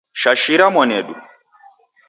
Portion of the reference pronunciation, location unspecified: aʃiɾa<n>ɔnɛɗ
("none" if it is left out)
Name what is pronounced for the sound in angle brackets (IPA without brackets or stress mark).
m